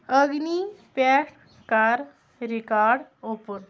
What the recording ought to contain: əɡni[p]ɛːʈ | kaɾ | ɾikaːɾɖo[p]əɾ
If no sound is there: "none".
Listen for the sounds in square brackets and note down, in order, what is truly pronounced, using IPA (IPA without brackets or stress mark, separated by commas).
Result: p, p